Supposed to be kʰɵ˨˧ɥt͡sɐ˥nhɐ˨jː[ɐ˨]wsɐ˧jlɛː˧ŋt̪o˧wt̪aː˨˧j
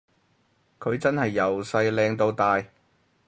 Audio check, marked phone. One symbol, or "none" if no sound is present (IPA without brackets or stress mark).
ɐ˨